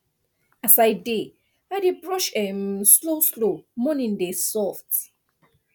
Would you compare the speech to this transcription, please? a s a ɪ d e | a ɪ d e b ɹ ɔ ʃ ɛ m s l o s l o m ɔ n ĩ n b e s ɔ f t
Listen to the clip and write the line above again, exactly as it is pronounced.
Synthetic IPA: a s a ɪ d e | a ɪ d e b ɹ ɔ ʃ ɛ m s l o s l o m ɔ n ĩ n d e s ɔ f t